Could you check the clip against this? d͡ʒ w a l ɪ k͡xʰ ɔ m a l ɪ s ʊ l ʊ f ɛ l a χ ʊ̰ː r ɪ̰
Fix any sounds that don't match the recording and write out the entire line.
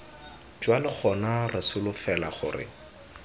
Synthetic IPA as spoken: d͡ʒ w a l ɪ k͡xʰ ɔ n a r ɪ s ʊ l ʊ f ɛ l a χ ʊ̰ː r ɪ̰